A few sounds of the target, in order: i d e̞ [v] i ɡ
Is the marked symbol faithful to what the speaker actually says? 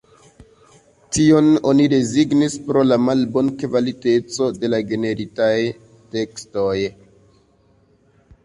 no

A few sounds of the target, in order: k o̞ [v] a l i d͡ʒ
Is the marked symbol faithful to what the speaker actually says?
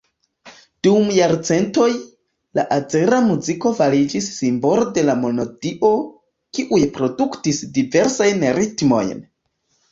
yes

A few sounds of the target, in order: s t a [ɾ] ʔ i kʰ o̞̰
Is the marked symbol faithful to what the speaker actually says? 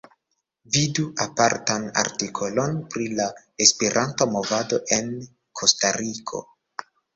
yes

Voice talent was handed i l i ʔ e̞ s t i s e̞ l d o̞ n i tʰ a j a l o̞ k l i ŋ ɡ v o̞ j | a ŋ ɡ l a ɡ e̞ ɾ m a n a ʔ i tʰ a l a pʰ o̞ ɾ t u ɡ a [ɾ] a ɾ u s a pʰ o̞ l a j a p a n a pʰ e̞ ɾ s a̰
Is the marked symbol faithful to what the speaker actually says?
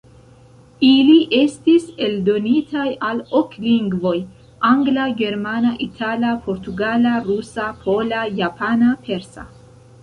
no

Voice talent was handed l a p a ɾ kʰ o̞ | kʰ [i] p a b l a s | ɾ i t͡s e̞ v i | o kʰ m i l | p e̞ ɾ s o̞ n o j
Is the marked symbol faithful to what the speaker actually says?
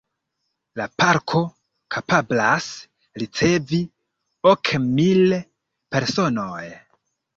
no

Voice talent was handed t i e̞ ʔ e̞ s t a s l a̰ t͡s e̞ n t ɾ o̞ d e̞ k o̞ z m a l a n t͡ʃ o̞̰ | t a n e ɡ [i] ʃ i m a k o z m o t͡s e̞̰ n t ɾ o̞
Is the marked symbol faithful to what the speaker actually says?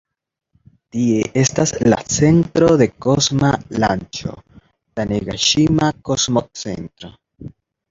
no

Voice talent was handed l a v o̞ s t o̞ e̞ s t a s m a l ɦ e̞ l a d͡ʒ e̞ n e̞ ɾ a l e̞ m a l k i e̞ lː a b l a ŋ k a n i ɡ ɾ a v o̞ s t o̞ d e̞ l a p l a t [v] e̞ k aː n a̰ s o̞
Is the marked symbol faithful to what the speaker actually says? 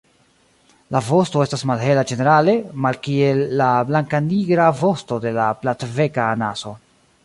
yes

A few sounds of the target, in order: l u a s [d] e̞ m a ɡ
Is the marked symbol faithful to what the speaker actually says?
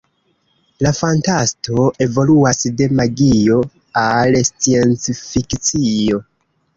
yes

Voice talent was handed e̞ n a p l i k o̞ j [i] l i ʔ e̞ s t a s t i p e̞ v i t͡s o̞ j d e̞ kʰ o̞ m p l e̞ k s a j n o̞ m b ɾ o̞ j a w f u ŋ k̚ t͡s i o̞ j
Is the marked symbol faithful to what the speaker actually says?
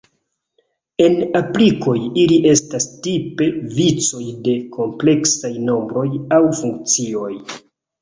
yes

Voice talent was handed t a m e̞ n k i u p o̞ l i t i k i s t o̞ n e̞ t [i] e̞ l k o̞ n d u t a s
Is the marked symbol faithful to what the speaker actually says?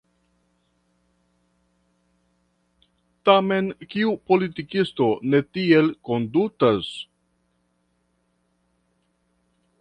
yes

